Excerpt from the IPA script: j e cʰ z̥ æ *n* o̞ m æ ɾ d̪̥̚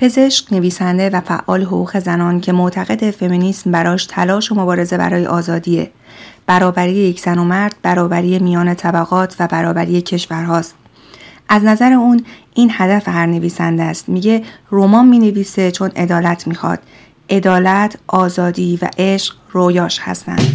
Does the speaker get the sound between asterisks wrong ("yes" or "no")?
no